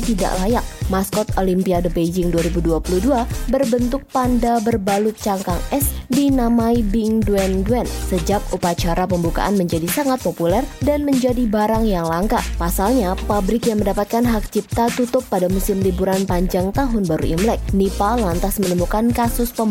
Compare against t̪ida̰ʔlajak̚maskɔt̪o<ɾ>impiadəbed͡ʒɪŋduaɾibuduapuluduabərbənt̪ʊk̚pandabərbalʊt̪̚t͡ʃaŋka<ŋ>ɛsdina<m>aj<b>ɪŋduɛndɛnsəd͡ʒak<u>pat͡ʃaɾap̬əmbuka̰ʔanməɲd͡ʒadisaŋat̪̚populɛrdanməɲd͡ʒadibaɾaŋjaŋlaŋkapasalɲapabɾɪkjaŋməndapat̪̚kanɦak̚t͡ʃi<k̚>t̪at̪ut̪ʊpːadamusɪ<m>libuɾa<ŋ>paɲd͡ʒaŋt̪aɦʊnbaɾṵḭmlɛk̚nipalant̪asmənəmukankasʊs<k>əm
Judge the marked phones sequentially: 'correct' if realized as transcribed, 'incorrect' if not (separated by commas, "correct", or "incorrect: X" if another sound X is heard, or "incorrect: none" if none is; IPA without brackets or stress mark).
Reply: incorrect: l, correct, correct, correct, correct, incorrect: p̚, correct, incorrect: n, incorrect: p